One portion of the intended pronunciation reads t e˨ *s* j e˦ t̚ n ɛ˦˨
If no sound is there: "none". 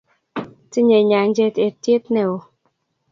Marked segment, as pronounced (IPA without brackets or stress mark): t